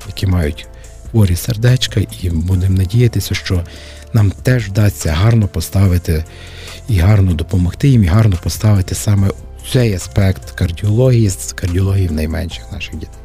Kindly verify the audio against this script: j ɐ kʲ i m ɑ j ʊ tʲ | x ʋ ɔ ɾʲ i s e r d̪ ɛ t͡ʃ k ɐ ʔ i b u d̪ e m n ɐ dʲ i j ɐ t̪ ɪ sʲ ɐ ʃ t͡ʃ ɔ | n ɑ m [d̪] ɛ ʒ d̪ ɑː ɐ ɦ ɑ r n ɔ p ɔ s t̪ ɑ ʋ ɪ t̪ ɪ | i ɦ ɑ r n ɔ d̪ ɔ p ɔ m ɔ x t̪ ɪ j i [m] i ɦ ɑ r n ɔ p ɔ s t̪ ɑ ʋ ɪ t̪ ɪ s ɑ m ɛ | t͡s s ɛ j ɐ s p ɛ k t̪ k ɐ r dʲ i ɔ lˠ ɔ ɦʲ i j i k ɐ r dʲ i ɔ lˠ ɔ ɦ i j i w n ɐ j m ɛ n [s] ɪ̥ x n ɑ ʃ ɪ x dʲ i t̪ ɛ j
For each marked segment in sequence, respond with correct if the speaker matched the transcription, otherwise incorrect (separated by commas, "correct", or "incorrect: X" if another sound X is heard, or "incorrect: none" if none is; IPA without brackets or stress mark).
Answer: incorrect: t̪, correct, incorrect: ʃ